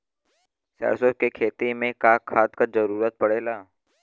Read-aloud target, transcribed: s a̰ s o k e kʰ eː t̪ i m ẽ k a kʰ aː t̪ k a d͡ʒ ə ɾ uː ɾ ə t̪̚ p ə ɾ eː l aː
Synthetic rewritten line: s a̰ s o k e kʰ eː t̪ i m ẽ k a kʰ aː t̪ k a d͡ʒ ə ɾ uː ɾ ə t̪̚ p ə ɽ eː l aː